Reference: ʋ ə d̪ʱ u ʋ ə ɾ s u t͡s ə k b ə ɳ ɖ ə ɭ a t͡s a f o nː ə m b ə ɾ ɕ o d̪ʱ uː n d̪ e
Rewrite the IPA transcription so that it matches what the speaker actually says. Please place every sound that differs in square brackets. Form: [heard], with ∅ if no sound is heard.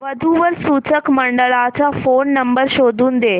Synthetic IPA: ʋ ə d̪ʱ u ʋ ə ɾ s u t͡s ə k [m] ə ɳ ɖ ə ɭ a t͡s a f o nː ə m b ə ɾ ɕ o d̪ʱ uː n d̪ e